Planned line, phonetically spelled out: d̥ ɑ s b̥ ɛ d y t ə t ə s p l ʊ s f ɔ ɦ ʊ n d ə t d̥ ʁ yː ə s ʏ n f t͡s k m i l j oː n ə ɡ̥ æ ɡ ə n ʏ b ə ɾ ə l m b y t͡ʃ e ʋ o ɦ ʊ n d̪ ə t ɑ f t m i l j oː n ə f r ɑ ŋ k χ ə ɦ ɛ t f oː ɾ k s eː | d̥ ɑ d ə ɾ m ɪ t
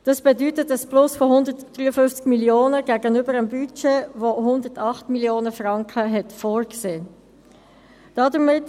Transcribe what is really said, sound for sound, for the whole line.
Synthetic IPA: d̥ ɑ s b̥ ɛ d y t ə t ə s p l ʊ s f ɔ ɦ ʊ n d ə t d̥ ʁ yː ə f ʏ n f t͡s k m i l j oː n ə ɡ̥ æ ɡ ə n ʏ b ə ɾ ə m b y t͡ʃ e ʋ o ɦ ʊ n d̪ ə t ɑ χ t m i l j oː n ə f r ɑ ŋ k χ ə ɦ ɛ t f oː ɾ k s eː | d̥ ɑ d ə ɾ m ɪ t